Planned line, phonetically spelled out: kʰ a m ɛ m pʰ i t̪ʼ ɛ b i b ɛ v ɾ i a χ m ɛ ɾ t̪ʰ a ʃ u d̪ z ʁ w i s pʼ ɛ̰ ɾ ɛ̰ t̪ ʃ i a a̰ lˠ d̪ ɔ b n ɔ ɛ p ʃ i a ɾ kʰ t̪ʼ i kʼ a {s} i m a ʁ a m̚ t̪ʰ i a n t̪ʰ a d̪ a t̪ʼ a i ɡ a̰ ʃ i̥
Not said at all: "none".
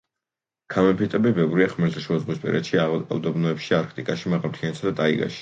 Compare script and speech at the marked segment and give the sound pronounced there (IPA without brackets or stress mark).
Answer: ʃ